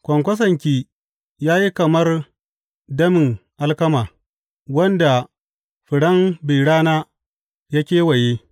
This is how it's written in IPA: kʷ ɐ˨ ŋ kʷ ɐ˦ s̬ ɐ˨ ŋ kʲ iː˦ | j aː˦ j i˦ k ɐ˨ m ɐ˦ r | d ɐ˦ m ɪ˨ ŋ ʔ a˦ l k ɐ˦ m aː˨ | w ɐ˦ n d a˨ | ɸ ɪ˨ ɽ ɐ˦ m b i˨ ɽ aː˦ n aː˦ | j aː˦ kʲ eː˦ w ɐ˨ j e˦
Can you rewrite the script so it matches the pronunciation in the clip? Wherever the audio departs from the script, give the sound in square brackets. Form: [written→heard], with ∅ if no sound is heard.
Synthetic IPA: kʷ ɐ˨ ŋ kʷ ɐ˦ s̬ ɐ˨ ŋ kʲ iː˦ | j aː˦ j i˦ k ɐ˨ m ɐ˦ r | d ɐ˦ m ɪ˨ ŋ ʔ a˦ l k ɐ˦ m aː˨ | w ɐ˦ n d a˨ | ɸ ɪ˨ ɽ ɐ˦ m b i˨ ɽ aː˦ n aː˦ | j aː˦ kʲ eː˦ w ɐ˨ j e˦